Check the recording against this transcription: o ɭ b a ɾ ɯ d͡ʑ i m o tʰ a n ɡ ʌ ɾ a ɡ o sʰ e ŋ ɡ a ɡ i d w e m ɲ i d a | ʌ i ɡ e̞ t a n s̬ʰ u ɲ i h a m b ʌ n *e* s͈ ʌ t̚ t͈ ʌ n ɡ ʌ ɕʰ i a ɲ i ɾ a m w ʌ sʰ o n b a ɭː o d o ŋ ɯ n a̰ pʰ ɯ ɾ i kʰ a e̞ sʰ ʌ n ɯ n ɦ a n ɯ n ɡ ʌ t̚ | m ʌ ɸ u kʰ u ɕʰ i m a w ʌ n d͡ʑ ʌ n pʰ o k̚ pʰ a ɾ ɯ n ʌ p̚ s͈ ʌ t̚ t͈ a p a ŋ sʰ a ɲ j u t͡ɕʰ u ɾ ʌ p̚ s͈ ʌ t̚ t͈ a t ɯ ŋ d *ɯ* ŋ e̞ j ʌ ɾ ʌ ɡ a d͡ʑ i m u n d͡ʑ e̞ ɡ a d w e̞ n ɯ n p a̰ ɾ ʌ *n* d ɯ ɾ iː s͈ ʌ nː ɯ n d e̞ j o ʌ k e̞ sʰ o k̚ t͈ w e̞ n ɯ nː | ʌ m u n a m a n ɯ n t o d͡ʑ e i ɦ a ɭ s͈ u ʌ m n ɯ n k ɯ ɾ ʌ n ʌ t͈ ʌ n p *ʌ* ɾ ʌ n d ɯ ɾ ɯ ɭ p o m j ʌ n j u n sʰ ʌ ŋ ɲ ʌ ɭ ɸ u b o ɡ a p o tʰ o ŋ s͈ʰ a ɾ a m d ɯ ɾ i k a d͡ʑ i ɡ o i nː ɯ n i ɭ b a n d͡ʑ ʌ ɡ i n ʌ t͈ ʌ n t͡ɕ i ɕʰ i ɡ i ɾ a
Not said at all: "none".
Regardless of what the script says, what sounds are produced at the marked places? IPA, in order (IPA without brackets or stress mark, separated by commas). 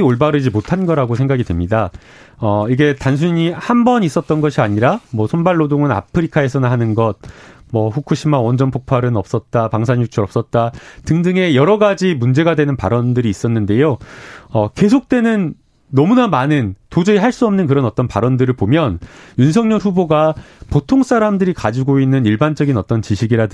i, ɯ, n, a